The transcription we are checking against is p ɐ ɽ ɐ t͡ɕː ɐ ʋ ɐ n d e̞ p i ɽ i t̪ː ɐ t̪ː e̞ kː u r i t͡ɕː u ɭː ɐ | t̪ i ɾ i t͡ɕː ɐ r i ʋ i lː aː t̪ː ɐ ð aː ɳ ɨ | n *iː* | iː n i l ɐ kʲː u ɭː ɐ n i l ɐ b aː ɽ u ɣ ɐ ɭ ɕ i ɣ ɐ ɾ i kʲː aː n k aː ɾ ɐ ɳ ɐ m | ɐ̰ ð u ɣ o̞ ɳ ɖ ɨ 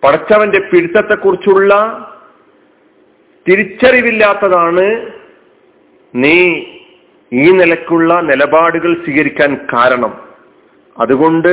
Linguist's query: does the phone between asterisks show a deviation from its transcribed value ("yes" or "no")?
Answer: no